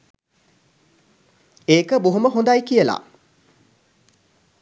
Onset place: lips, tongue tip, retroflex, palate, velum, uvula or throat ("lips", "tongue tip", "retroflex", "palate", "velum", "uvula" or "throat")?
velum